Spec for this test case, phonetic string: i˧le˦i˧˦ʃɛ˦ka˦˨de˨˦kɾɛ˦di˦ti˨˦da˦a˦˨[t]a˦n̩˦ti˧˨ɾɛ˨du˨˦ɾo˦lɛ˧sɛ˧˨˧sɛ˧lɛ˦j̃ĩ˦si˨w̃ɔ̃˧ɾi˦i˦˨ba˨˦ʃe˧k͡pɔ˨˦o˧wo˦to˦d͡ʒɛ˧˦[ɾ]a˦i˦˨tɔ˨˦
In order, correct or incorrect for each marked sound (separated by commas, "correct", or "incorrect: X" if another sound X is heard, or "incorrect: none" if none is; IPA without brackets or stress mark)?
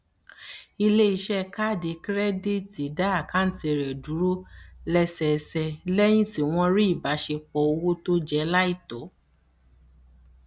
incorrect: k, incorrect: l